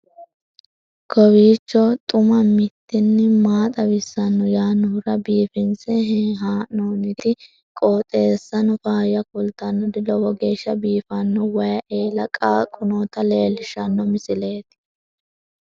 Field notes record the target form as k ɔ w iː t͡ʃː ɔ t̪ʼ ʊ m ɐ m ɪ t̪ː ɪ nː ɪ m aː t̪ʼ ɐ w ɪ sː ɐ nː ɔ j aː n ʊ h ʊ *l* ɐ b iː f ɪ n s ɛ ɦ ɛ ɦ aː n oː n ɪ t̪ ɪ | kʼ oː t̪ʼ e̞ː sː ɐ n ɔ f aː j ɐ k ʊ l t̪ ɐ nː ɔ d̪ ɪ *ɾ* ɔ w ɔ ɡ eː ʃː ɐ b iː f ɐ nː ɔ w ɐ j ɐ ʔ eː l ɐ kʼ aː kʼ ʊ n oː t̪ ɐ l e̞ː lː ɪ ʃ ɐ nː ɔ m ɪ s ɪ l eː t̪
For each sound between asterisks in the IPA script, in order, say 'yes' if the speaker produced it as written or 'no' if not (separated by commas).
no, no